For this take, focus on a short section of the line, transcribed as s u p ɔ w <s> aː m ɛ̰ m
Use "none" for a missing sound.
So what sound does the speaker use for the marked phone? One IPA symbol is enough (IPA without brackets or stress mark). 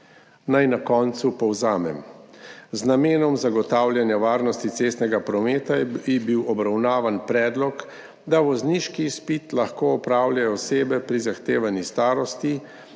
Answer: z